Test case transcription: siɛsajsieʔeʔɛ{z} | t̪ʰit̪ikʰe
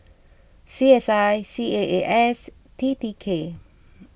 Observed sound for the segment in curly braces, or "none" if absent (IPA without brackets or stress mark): s